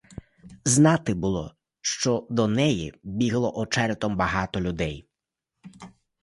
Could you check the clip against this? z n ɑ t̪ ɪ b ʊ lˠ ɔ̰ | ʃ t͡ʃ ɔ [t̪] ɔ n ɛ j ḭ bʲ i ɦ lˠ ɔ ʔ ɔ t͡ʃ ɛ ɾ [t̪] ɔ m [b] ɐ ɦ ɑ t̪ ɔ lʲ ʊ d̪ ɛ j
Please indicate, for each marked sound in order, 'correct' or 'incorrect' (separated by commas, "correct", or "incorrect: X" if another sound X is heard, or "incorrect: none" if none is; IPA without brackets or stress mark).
incorrect: d̪, correct, correct